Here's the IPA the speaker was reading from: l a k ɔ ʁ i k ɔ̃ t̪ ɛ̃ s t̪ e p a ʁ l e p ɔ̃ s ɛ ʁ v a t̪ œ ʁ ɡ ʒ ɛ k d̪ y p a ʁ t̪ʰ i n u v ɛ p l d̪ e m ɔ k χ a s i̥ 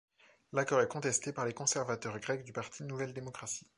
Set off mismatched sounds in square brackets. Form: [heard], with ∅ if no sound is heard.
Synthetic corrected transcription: l a k ɔ ʁ [ɛ] k ɔ̃ t̪ [ɛ] s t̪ e p a ʁ l e [k] ɔ̃ s ɛ ʁ v a t̪ œ ʁ ɡ [ʁ] ɛ k d̪ y p a ʁ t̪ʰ i n u v ɛ [∅] l d̪ e m ɔ k χ a s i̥